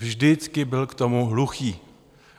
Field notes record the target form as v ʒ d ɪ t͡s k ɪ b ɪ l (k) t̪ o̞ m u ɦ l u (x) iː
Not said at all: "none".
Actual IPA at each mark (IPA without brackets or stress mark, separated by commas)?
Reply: k, x